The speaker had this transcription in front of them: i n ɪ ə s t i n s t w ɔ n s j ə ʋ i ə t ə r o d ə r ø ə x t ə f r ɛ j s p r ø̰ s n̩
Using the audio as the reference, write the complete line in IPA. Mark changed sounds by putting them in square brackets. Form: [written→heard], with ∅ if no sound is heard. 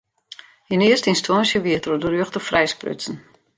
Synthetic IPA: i n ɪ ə s t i n s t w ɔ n s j ə ʋ i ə t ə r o d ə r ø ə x t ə f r ɛ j s p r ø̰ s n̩